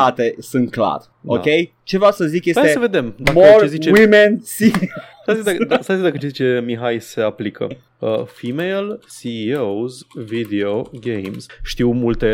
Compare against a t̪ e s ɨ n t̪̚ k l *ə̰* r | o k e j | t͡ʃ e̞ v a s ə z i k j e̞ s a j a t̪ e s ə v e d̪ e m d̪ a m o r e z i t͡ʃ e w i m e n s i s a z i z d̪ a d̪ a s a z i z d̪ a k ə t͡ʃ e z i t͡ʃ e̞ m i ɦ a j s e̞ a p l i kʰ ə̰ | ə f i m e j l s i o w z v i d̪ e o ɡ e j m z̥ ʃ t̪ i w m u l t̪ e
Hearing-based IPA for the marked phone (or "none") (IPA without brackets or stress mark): a̰